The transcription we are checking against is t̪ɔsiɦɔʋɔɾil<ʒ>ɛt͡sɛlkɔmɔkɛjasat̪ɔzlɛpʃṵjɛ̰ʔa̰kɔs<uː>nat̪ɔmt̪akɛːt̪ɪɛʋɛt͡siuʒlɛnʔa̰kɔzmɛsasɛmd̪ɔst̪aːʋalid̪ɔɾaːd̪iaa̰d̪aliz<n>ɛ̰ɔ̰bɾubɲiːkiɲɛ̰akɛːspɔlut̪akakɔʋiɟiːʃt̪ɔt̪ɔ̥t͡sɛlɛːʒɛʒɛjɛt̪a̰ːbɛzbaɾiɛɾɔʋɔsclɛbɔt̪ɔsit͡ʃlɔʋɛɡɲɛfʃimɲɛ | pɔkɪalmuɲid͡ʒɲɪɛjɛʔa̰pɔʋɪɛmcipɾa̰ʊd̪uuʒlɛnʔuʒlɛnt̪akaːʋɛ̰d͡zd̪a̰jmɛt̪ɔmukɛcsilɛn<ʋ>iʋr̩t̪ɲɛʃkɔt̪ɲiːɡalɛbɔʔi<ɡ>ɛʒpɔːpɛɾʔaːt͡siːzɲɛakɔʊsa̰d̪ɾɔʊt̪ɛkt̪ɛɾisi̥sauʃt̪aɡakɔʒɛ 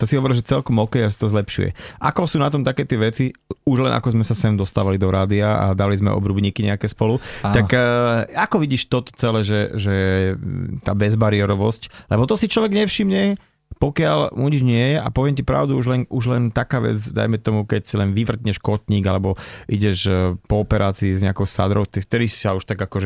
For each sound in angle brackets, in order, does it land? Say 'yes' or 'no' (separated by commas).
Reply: yes, yes, no, yes, no